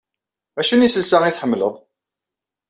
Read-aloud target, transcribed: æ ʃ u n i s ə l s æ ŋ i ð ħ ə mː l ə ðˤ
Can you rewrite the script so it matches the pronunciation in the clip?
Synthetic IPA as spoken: æ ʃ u n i s ə l s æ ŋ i θ ħ ə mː l ə ðˤ